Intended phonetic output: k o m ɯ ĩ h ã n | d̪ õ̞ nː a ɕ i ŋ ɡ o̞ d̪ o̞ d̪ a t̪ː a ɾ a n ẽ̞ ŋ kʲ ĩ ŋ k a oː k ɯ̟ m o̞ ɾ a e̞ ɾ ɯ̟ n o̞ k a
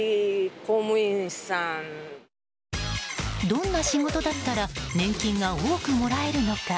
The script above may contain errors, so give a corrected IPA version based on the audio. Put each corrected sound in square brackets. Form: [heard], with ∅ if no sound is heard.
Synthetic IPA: k o m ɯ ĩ [s] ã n | d̪ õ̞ nː a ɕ i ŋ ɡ o̞ [t̪] o̞ d̪ a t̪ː a ɾ a n ẽ̞ ŋ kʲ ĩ ŋ [ɡ] a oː k ɯ̟ m o̞ ɾ a e̞ ɾ ɯ̟ n o̞ k a